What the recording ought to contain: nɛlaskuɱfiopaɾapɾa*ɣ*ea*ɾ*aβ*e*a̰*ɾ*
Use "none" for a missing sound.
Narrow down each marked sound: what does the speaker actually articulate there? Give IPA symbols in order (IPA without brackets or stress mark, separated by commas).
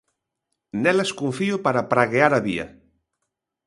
ɣ, ɾ, i, none